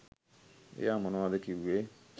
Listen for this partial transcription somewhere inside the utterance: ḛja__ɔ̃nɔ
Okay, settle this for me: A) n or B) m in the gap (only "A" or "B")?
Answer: B